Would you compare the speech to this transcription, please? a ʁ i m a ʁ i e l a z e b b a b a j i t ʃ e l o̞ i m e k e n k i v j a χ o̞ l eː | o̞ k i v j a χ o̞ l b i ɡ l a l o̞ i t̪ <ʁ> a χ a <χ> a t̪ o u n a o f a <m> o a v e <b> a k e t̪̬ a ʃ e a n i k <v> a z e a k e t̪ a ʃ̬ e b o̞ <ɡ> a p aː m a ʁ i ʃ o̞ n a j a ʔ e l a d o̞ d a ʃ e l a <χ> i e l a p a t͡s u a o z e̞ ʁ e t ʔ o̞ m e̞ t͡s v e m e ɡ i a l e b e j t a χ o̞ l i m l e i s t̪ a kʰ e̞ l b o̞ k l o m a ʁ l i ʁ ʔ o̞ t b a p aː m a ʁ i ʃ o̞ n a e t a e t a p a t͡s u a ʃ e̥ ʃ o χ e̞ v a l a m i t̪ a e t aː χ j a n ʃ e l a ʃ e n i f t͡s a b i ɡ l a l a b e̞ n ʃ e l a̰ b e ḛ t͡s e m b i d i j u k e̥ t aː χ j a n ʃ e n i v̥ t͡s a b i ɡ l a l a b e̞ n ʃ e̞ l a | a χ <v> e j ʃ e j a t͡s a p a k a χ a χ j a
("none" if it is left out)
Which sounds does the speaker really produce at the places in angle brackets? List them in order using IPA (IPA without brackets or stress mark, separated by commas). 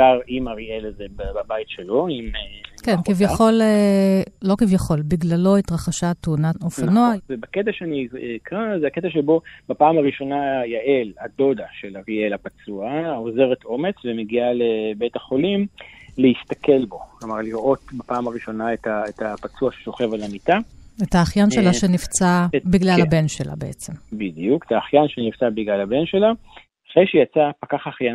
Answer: ʁ, ʃ, n, b, ʁ, b, ʁ, ʁ